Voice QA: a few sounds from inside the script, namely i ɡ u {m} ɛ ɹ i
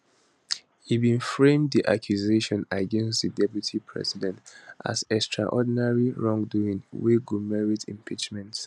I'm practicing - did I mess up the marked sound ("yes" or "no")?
no